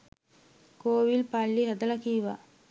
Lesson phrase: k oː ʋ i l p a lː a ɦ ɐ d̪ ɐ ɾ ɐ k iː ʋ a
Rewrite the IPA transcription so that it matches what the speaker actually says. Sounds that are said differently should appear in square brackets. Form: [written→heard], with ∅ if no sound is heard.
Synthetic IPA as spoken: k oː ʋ i l p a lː [a→i] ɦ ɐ d̪ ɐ [ɾ→l] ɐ k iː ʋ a